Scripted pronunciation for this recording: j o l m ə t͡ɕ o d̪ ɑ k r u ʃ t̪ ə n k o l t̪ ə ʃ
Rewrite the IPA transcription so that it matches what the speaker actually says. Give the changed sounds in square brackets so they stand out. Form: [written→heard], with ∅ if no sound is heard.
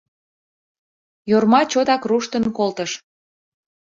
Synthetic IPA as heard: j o [l→r] m [ə→ɑ] t͡ɕ o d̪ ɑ k r u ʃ t̪ ə n k o l t̪ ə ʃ